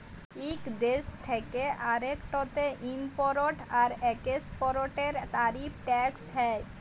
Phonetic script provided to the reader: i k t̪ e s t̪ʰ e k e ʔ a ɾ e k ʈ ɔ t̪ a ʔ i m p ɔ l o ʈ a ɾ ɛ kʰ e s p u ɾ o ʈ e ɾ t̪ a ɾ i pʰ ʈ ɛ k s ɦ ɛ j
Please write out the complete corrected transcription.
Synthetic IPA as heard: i k d̪ e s t̪ʰ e k e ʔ a ɾ e k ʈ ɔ t̪ e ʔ i m p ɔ ɾ o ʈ a ɾ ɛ k e s p ɔ ɾ o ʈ e ɾ t̪ a ɾ i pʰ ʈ ɛ k s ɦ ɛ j